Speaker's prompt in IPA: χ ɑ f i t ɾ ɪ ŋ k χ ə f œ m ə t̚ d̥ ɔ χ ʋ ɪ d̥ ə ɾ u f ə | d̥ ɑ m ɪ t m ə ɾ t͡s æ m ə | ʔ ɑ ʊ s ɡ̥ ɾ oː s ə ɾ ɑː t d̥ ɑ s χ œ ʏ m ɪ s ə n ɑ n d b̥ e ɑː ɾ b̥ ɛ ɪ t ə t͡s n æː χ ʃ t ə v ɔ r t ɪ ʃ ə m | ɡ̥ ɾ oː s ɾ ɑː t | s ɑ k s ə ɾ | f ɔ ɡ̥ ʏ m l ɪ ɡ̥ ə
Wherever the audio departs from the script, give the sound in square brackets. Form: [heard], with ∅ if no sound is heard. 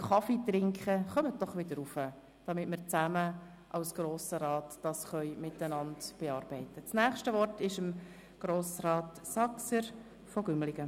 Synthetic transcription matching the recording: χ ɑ f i t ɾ ɪ ŋ k χ ə [χ] œ m ə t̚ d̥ ɔ χ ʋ ɪ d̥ ə ɾ u f ə | d̥ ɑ m ɪ t m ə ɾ t͡s æ m ə | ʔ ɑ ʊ s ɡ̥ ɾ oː s ə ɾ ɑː t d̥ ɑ s χ œ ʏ m ɪ [t] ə n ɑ n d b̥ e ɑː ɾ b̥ ɛ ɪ t ə t͡s n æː χ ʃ t ə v ɔ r t ɪ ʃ ə m | ɡ̥ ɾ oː s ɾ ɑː t | s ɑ k s ə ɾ | f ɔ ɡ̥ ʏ m l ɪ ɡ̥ ə